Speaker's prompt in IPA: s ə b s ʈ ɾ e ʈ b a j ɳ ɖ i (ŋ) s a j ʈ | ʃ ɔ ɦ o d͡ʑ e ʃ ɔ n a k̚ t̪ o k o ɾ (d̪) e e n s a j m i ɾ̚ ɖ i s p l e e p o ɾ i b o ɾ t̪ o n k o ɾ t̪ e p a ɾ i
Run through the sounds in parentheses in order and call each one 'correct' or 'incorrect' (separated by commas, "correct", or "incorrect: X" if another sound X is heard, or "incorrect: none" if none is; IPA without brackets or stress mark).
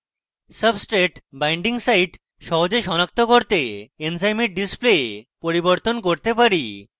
correct, incorrect: t̪